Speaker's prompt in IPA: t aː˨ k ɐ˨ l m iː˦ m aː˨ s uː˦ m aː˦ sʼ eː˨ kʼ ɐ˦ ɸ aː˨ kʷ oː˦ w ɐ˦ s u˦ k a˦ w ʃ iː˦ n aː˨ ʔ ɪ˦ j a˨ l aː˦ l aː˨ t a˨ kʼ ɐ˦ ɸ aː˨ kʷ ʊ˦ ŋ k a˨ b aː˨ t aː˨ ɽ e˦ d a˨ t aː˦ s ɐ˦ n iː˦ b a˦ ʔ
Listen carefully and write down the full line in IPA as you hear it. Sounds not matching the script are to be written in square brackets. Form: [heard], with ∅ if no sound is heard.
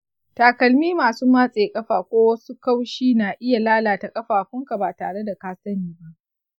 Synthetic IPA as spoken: t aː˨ k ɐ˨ l m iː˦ m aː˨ s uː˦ m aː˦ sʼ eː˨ kʼ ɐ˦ ɸ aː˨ kʷ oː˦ w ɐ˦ s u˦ k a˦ w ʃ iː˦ n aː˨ ʔ ɪ˦ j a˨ l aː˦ l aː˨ t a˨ kʼ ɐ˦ ɸ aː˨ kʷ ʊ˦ ŋ k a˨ b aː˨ t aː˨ ɽ e˦ d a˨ [k] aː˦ s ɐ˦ n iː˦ b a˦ ʔ

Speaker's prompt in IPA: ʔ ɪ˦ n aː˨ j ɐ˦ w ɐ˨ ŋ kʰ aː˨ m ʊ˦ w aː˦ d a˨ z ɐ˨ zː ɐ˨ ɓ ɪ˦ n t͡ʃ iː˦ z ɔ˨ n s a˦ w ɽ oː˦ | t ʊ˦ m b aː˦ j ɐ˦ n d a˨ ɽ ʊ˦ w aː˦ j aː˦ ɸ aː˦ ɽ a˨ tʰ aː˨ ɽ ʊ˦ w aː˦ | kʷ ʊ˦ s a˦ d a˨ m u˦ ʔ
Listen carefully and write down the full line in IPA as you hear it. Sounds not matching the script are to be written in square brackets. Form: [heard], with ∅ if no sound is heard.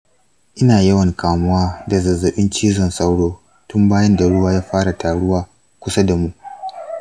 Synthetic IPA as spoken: ʔ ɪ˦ n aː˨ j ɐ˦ w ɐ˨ ŋ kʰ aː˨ m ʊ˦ w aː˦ d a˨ z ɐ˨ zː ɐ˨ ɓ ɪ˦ n t͡ʃ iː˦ z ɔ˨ n s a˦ w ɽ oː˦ | t ʊ˦ m b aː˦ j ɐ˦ n d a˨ ɽ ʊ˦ w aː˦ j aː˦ ɸ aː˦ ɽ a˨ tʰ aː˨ ɽ ʊ˦ w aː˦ | kʷ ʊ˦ s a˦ d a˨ m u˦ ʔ

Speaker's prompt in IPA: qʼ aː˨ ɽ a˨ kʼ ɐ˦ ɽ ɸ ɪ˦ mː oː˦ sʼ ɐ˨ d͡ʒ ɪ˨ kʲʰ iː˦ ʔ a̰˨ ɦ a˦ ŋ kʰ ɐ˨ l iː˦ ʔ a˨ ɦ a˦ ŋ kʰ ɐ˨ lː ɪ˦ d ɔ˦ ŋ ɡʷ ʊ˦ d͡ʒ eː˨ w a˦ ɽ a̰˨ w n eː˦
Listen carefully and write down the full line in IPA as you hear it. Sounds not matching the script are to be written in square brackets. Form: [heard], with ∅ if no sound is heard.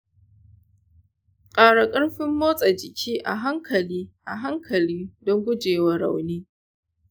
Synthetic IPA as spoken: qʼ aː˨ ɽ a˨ kʼ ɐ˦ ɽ ɸ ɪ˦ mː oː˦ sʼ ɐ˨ d͡ʒ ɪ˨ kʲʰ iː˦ ʔ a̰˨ ɦ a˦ ŋ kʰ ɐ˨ l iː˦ ʔ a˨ ɦ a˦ ŋ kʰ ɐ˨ [l] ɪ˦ d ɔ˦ ŋ ɡʷ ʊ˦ d͡ʒ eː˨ w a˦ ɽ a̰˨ w n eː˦

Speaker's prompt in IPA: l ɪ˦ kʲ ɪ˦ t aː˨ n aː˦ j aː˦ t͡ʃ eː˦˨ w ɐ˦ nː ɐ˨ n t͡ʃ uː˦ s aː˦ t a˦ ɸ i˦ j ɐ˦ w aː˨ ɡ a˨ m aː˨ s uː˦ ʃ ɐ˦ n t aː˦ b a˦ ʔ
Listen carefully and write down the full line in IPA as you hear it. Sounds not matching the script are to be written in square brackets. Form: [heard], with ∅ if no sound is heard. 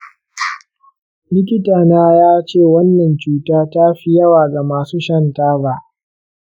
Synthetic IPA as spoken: l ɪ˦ kʲ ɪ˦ t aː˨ n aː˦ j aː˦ t͡ʃ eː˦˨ w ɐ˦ nː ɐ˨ n t͡ʃ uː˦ [t] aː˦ t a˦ ɸ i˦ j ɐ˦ w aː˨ ɡ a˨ m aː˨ s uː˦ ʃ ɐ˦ n t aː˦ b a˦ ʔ

